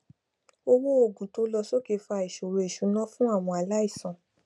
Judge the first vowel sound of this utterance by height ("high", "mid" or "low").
mid